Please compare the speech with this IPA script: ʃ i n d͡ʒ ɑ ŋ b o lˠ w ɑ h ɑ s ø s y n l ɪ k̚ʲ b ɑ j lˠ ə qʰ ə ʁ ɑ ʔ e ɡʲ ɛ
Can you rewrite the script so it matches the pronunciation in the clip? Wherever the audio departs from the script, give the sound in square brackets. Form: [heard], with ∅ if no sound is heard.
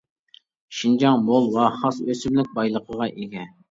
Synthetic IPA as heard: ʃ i n d͡ʒ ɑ ŋ b o lˠ w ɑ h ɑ s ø s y [m] l ɪ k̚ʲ b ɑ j lˠ ə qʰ ə ʁ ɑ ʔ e ɡʲ ɛ